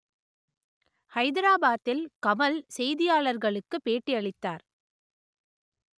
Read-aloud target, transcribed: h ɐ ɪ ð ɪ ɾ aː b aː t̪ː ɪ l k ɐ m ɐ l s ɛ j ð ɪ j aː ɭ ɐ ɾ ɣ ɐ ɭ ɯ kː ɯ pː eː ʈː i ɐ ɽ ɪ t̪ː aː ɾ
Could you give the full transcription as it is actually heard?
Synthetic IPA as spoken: h ɐ ɪ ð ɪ ɾ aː b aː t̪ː ɪ l k ɐ m ɐ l s ɛ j ð ɪ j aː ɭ ɐ ɾ ɣ ɐ ɭ ɯ kː ɯ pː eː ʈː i ɐ ɭ ɪ t̪ː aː ɾ